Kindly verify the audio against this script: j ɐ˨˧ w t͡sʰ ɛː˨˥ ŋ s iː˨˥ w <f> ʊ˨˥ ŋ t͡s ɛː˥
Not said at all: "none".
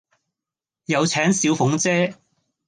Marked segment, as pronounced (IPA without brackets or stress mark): f